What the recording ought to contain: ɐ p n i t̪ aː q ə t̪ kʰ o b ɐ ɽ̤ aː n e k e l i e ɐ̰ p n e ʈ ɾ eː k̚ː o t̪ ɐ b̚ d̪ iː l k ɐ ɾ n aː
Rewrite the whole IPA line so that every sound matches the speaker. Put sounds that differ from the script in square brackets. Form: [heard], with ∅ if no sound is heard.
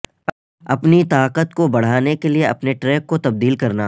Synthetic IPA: ɐ p n i t̪ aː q ə t̪ [k] o b ɐ ɽ̤ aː n e k e l i e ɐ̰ p n e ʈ ɾ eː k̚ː o t̪ ɐ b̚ d̪ iː l k ɐ ɾ n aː

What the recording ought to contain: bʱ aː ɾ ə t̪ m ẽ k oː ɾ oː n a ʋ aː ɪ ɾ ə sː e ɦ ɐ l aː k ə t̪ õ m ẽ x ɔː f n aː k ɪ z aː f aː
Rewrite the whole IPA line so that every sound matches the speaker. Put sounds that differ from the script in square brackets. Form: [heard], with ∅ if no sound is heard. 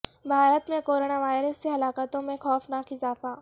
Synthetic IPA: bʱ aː ɾ ə t̪ m ẽ k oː ɾ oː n a ʋ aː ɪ ɾ ə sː e ɦ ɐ l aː k ə t̪ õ m ẽ x ɔː f n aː k ɪ z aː f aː

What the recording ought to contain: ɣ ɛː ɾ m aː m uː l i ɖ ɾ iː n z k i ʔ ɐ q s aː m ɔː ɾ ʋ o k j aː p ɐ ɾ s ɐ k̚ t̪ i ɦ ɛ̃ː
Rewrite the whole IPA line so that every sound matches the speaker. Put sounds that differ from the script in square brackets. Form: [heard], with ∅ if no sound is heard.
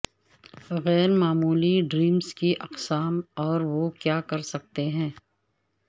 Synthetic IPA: ɣ ɛː ɾ m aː m uː l i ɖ ɾ iː [m] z k i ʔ ɐ q s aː m ɔː ɾ ʋ o k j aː [k] ɐ ɾ s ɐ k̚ t̪ [e] ɦ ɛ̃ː

